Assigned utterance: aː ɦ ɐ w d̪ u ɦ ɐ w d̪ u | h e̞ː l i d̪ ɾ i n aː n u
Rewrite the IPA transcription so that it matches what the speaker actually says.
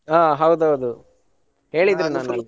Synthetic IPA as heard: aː ɦ ɐ w d̪ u ɦ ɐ w d̪ u | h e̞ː ɭ i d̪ ɾ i n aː n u